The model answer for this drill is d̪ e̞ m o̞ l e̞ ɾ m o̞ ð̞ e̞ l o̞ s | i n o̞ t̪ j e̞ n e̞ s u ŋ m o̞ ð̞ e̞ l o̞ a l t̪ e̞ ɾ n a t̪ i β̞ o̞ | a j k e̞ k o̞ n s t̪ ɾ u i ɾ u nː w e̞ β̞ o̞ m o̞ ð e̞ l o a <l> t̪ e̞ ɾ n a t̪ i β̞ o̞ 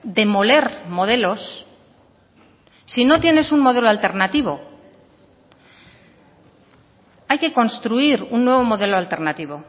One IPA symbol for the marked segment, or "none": l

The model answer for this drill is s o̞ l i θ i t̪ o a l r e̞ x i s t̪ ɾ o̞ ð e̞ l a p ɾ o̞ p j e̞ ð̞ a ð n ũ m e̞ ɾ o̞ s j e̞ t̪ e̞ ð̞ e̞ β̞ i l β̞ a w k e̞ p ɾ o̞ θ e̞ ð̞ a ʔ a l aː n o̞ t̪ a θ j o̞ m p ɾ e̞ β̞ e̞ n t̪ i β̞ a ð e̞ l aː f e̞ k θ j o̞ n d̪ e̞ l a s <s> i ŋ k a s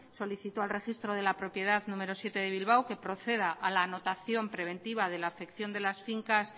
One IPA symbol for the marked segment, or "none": f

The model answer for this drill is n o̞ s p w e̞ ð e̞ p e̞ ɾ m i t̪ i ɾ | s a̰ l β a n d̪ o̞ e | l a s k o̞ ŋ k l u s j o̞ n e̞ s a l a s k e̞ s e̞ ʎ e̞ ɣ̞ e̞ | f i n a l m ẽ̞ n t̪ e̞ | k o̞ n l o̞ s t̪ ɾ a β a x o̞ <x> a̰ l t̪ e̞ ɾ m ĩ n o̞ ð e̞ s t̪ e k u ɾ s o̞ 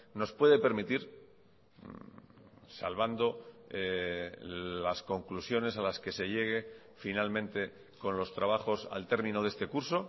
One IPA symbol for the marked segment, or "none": s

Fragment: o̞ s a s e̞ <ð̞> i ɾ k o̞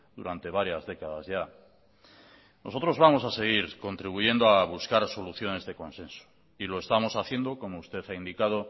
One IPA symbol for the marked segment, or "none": ɣ̞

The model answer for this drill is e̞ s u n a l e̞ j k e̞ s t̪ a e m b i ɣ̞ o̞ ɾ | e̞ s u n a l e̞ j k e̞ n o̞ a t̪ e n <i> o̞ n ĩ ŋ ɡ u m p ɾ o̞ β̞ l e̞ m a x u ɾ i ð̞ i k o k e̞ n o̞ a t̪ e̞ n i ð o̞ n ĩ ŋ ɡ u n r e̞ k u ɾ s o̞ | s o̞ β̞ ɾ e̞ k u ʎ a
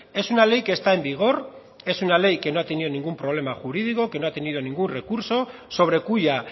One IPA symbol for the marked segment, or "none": i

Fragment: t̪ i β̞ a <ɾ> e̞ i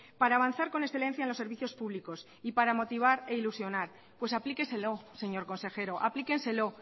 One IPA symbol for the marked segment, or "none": ɾ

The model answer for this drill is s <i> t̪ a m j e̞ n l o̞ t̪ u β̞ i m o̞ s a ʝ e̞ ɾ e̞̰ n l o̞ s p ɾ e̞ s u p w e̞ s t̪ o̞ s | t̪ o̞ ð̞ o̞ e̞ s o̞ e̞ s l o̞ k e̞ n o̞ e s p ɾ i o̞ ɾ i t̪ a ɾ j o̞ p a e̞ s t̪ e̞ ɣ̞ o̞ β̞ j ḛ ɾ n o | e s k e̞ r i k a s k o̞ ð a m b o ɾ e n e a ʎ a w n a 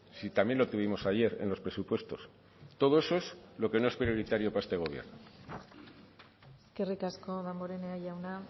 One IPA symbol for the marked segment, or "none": i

